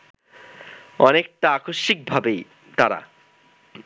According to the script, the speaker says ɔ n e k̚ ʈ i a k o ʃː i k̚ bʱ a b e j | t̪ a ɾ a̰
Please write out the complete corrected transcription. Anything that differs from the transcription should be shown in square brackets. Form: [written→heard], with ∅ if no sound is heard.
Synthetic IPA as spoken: ɔ n e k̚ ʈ [i→a] a k o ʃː i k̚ bʱ a b e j | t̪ a ɾ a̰